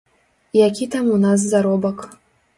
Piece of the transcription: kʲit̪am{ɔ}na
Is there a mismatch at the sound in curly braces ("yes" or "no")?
yes